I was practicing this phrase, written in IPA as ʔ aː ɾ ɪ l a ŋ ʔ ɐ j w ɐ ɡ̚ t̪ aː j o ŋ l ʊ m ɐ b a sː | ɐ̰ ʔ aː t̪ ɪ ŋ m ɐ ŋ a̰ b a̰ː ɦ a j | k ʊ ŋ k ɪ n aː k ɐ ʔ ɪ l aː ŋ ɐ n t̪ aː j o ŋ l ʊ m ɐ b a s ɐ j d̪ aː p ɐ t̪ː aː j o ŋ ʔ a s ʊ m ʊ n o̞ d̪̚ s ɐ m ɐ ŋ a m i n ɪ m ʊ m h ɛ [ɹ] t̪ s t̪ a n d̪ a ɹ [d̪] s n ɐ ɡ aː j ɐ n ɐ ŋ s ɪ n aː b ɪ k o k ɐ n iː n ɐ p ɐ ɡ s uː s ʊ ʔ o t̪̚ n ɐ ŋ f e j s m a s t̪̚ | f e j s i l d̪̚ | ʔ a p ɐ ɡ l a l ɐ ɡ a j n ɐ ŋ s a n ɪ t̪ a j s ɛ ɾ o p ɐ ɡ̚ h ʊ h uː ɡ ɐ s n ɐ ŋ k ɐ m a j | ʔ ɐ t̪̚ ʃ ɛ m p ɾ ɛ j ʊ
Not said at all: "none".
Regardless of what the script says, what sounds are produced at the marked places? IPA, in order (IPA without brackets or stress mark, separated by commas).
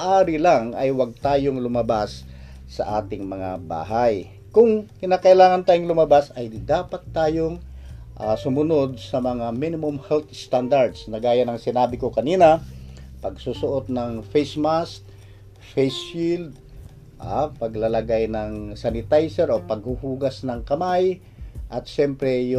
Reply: l, d̪